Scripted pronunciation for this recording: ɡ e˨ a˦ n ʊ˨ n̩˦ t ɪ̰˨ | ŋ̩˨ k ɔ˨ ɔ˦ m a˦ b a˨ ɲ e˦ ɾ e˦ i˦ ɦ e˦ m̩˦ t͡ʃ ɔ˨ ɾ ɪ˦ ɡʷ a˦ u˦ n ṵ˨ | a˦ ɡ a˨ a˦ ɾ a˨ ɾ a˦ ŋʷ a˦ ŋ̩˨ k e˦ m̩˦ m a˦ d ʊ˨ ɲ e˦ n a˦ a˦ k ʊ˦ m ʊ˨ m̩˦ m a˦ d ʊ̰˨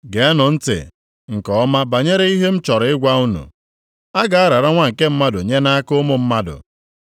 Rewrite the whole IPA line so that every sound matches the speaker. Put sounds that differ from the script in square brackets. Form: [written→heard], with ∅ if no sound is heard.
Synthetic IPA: ɡ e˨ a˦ n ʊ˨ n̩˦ t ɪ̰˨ | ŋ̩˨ k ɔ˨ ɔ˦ m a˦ b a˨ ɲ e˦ ɾ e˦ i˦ ɦ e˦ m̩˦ t͡ʃ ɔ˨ ɾ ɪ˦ ɡʷ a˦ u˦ n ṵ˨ | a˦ ɡ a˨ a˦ ɾ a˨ ɾ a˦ ŋʷ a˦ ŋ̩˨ k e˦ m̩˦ m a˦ d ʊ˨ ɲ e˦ n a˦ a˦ k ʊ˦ m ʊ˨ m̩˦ m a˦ d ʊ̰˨